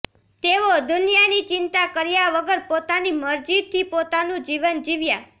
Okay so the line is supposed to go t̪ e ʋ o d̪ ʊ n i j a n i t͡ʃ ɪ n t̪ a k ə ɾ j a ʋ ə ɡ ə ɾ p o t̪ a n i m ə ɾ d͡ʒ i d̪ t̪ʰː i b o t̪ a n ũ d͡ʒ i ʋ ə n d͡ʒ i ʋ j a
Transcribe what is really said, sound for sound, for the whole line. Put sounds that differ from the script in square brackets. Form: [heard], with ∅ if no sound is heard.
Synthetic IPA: t̪ e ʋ o d̪ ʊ n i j a n i t͡ʃ ɪ n t̪ a k ə ɾ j a ʋ ə ɡ ə ɾ p o t̪ a n i m ə ɾ d͡ʒ i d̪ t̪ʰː i [p] o t̪ a n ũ d͡ʒ i ʋ ə n d͡ʒ i ʋ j a